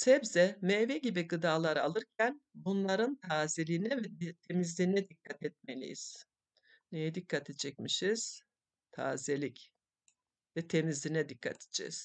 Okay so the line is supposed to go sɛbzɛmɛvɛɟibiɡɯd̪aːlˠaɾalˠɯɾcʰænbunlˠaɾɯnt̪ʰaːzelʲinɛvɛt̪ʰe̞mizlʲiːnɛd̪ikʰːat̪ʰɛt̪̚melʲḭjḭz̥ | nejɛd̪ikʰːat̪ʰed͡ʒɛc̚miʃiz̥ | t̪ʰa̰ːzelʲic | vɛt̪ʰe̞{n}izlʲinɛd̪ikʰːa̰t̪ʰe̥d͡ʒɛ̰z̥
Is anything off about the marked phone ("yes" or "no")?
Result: yes